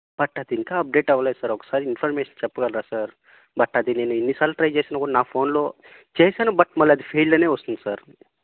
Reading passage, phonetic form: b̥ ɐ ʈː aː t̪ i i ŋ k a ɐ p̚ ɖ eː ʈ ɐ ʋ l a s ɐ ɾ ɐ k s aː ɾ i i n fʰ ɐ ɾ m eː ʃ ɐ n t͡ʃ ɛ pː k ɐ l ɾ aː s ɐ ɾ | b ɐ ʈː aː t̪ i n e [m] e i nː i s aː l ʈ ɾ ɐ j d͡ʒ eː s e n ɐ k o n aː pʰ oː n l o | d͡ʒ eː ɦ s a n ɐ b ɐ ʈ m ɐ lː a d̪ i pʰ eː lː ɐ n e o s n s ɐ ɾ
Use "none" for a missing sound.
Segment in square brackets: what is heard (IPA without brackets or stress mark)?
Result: n